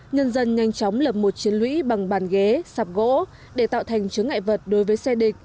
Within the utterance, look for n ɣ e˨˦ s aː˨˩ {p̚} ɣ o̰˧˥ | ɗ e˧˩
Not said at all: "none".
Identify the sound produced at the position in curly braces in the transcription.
p̚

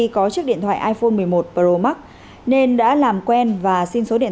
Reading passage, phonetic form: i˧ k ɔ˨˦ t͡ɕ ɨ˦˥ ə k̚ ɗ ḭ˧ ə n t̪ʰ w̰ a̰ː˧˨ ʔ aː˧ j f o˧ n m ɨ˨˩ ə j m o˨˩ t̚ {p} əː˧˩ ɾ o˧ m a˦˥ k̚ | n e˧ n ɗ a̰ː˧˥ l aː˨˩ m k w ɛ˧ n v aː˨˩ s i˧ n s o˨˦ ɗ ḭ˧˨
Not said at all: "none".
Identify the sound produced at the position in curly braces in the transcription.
p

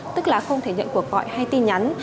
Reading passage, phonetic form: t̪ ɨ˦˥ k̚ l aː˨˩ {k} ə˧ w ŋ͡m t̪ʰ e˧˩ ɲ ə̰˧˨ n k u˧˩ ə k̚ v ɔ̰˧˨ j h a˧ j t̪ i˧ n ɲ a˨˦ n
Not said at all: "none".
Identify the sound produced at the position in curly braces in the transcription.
x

